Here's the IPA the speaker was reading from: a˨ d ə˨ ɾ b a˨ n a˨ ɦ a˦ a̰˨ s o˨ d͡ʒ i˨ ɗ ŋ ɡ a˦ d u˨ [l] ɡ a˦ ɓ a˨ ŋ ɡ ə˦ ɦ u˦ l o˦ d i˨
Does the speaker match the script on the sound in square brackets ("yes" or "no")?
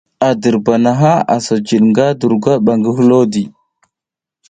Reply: no